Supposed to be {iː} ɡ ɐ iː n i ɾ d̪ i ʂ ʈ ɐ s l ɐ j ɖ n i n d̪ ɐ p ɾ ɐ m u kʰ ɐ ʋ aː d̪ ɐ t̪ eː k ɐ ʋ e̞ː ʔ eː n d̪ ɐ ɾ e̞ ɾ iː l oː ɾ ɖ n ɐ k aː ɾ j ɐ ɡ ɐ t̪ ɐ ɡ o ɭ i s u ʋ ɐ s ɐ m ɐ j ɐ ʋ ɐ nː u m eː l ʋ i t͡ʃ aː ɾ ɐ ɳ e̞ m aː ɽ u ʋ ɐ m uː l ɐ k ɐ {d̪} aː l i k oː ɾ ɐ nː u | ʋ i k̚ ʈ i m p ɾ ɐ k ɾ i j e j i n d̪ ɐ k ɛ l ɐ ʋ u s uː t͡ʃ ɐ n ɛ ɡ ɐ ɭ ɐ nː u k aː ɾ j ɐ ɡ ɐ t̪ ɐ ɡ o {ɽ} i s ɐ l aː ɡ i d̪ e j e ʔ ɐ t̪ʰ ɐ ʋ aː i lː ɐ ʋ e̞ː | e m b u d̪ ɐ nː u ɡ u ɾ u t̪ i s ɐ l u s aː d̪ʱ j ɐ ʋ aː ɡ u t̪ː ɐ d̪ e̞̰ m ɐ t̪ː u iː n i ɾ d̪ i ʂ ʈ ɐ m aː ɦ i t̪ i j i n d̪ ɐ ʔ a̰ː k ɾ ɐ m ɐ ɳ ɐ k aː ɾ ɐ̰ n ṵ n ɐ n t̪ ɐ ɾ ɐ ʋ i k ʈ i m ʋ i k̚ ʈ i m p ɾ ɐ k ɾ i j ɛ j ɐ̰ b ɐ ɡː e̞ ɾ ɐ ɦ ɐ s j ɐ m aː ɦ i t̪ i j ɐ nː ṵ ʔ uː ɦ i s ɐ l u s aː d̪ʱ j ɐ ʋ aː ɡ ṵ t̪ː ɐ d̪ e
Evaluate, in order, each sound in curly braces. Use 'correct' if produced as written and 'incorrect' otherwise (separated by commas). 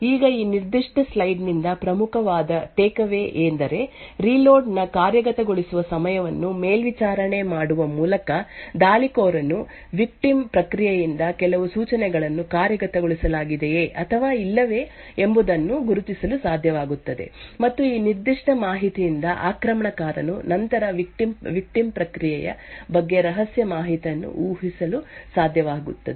correct, correct, incorrect